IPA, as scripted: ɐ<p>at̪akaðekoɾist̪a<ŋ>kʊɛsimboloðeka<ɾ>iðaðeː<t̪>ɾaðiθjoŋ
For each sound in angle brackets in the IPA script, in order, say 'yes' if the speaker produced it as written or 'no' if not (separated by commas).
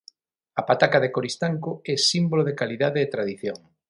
yes, yes, no, yes